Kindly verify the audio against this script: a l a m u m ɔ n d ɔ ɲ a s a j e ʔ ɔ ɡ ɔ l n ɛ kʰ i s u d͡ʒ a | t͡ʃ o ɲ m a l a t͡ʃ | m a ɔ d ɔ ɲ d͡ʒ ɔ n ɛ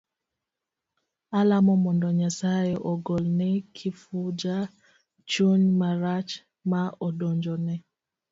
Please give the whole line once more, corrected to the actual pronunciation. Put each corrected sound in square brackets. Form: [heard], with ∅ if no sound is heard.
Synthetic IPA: a l a m [ɔ] m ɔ n d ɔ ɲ a s a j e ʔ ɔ ɡ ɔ l n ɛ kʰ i [f] u d͡ʒ a | t͡ʃ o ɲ m a [ɾ] a t͡ʃ | m a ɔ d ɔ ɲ d͡ʒ ɔ n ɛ